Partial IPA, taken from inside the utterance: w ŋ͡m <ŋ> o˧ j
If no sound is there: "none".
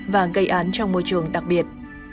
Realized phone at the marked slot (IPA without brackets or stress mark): m